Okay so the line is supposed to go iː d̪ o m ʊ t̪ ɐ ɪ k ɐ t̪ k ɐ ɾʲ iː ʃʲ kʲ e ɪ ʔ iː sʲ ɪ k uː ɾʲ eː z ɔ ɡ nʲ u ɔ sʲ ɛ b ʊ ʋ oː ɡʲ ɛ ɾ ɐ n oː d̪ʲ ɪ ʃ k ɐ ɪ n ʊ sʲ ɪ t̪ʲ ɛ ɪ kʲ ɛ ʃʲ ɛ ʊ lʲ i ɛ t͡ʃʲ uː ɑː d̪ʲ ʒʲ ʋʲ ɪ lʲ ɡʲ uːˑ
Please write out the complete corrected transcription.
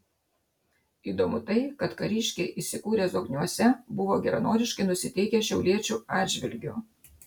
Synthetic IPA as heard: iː d̪ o m ʊ t̪ ɐ ɪ k ɐ t̪ k ɐ ɾʲ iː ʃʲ kʲ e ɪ ʔ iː sʲ ɪ k uː ɾʲ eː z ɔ ɡ nʲ u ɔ sʲ ɛ b ʊ ʋ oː ɡʲ ɛ ɾ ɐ n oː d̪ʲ ɪ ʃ k ɐ ɪ n ʊ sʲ ɪ t̪ʲ ɛ ɪ kʲ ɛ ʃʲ ɛ ʊ lʲ i ɛ t͡ʃʲ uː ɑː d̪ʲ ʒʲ ʋʲ ɪ lʲ ɡʲ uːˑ